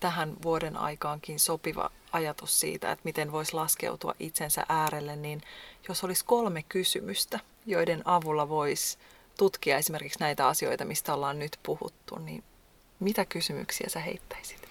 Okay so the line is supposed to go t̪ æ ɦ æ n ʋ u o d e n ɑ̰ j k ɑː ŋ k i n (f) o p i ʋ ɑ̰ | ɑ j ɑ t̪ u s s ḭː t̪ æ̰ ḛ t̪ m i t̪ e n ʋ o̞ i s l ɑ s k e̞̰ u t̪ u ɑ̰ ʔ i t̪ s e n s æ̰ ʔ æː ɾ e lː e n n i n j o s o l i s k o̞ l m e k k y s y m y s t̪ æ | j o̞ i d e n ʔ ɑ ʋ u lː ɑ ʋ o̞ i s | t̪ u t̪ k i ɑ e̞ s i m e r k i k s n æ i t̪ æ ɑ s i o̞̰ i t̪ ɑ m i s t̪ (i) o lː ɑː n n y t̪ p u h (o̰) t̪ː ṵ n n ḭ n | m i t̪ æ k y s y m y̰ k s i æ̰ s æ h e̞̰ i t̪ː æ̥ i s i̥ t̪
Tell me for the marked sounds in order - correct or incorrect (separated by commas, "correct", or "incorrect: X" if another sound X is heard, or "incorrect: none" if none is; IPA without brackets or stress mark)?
incorrect: s, incorrect: æ, incorrect: ṵ